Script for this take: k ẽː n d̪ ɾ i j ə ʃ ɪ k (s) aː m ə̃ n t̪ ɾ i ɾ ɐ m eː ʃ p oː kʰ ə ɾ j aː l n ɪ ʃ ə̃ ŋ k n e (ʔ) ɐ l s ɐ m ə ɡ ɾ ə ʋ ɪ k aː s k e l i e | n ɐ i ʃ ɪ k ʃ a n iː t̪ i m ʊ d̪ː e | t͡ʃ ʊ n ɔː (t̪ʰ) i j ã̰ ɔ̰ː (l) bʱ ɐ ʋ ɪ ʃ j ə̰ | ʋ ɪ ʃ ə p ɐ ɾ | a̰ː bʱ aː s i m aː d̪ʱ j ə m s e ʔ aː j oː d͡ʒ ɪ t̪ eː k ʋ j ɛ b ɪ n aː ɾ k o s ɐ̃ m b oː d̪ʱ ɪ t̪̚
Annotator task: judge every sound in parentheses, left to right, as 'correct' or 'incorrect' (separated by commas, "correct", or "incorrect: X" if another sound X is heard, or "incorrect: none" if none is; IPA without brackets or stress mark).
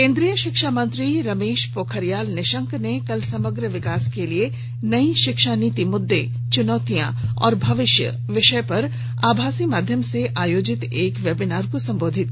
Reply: incorrect: ʃ, incorrect: k, incorrect: t̪, incorrect: ɾ